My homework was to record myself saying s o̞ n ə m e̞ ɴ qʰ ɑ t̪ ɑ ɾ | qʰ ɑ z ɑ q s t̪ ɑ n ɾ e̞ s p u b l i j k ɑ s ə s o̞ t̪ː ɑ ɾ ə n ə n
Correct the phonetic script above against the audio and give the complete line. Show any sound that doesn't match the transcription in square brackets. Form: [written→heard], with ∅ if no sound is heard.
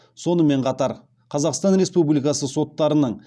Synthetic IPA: s o̞ n ə m e̞ ɴ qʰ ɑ t̪ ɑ ɾ | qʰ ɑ z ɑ q s t̪ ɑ n ɾ e̞ s p u b l i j k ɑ s ə s o̞ t̪ː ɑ ɾ ə n ə [n→ɴ]

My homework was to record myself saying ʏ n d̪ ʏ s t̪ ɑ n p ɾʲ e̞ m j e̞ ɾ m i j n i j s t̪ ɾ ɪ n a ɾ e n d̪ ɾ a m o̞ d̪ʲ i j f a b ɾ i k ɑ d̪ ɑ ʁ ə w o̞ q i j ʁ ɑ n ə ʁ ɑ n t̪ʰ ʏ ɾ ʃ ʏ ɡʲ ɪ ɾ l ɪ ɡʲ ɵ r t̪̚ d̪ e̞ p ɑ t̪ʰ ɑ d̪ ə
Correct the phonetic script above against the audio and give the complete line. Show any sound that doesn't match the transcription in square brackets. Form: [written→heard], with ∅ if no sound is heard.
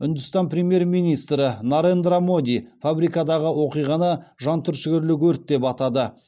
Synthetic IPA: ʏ n d̪ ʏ s t̪ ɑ n p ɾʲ e̞ m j e̞ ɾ m i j n i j s t̪ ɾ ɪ n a ɾ e n d̪ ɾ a m o̞ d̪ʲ i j f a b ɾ i k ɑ d̪ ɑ ʁ ə w o̞ q i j ʁ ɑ n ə [ʁ→ʒ] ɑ n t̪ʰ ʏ ɾ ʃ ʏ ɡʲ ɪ ɾ l ɪ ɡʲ ɵ [r→ɾ] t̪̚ d̪ e̞ p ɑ [t̪ʰ→t̪] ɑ d̪ ə

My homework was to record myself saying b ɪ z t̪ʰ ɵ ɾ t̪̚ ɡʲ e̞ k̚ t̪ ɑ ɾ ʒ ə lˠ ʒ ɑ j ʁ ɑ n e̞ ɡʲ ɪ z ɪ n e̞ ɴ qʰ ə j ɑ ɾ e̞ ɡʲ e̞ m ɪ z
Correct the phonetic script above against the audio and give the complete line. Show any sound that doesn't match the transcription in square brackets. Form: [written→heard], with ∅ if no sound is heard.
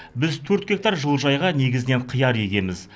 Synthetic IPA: b ɪ z t̪ʰ ɵ ɾ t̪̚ ɡʲ e̞ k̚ t̪ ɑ ɾ ʒ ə lˠ ʒ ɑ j ʁ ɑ n e̞ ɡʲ ɪ z ɪ n e̞ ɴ qʰ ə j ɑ ɾ e̞ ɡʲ e̞ m ɪ z

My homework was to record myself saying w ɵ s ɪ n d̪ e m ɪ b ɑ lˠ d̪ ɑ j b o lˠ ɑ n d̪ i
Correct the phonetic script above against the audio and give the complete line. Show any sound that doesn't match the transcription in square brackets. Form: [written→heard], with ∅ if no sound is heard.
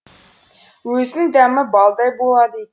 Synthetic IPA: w ɵ [s→z] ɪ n d̪ [e→æ] m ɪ b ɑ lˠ d̪ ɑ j b o lˠ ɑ [n→∅] d̪ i

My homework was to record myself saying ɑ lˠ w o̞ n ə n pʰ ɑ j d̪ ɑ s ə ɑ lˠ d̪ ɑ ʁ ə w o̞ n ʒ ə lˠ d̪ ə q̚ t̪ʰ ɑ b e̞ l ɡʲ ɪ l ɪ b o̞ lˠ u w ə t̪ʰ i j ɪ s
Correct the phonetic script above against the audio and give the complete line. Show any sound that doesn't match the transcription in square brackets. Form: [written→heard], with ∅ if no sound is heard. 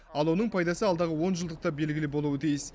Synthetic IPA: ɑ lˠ w o̞ n ə [n→ɴ] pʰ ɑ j d̪ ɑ s ə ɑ lˠ d̪ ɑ ʁ ə w o̞ n ʒ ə lˠ d̪ ə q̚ [t̪ʰ→t̪] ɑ b e̞ l ɡʲ ɪ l ɪ b o̞ lˠ u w ə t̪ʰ i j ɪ s

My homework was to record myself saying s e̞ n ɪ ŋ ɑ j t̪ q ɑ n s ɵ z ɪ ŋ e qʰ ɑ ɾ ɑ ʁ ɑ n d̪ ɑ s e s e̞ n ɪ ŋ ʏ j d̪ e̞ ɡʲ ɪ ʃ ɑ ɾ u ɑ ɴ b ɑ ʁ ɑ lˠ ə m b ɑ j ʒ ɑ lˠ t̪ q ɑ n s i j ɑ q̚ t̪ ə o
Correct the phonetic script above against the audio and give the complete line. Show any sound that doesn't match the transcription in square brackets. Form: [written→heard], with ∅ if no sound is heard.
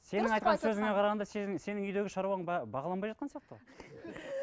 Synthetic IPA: s e̞ n ɪ ŋ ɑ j t̪ q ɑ n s ɵ z ɪ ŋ e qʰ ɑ ɾ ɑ ʁ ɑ n d̪ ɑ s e s e̞ n ɪ ŋ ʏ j d̪ e̞ ɡʲ ɪ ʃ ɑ ɾ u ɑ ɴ b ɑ ʁ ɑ lˠ [ə→ɑ] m b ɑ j ʒ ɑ [lˠ→∅] t̪ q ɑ n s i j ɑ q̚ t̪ ə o

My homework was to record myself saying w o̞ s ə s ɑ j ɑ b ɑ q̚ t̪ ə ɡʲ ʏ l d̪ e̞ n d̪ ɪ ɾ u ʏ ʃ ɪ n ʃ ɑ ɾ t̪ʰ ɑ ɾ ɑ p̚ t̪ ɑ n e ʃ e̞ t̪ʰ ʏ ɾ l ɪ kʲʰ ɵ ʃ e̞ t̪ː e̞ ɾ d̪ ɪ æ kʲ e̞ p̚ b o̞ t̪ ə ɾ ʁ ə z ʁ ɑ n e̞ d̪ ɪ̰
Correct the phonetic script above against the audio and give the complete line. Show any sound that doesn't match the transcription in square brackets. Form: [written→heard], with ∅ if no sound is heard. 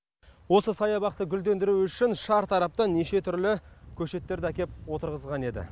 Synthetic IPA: w o̞ s ə s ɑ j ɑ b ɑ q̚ t̪ ə ɡʲ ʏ l d̪ e̞ n d̪ ɪ ɾ u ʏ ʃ ɪ n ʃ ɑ ɾ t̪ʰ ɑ ɾ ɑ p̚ t̪ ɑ n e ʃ e̞ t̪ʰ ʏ ɾ l ɪ kʲʰ ɵ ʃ e̞ t̪ː e̞ ɾ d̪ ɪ æ kʲ e̞ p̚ [b→w] o̞ t̪ ə ɾ ʁ ə z ʁ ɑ n e̞ d̪ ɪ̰

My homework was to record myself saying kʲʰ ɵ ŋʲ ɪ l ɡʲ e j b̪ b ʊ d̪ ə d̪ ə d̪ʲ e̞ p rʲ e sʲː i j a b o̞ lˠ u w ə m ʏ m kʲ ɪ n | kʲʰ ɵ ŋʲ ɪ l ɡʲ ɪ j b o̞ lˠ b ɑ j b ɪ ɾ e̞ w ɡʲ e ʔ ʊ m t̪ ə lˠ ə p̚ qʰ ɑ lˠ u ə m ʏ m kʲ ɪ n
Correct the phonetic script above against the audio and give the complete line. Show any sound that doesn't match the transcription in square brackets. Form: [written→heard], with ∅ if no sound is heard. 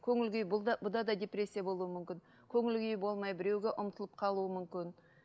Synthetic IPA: kʲʰ ɵ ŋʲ ɪ l ɡʲ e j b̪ b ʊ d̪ [ə→ɑ] d̪ [ə→ɑ] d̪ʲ e̞ p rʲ e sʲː i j a b o̞ lˠ u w ə m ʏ m kʲ ɪ n | kʲʰ ɵ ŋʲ ɪ l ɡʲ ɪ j b o̞ lˠ [b→m] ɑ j b ɪ ɾ e̞ w ɡʲ e ʔ ʊ m t̪ ə lˠ ə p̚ qʰ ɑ lˠ u ə m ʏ m kʲ ɪ n

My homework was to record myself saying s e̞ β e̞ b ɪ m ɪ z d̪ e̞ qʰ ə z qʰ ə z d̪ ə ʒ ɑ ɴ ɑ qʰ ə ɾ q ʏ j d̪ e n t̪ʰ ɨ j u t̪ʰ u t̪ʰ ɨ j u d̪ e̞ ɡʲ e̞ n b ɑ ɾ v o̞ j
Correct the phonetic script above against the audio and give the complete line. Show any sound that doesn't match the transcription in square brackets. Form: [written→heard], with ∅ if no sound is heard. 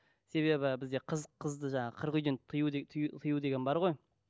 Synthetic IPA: s e̞ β e̞ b ɪ [m→b] ɪ z d̪ e̞ qʰ ə z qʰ ə z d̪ ə ʒ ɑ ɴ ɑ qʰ ə ɾ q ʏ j d̪ e n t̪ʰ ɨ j u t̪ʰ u t̪ʰ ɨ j u d̪ e̞ ɡʲ e̞ n b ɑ ɾ [v→ʁ] o̞ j

